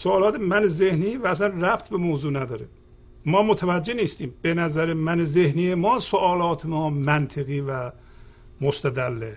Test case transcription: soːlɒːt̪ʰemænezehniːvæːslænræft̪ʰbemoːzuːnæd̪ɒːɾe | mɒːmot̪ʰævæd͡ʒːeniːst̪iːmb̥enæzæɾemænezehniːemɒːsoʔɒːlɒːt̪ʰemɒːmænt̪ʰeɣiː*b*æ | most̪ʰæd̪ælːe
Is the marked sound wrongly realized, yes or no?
yes